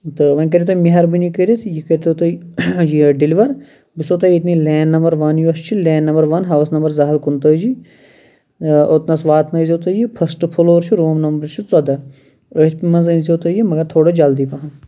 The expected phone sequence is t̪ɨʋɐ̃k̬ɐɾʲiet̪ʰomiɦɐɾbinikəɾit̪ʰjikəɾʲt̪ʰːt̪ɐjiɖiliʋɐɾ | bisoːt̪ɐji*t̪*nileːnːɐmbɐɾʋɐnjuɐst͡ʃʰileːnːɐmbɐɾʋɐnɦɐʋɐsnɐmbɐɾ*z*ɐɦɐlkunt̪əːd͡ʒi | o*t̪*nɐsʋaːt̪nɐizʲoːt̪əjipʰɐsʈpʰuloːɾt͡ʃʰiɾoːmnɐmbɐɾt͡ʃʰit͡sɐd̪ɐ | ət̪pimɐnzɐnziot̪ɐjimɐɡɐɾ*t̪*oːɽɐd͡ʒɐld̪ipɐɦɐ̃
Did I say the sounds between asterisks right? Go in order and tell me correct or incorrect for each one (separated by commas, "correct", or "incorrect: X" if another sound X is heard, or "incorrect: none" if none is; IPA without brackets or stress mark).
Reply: correct, correct, correct, incorrect: t̪ʰ